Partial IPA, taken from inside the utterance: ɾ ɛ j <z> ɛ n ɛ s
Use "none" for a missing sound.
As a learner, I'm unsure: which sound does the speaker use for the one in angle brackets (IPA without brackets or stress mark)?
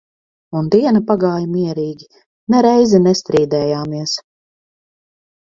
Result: z